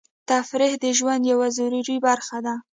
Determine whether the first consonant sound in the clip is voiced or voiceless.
voiceless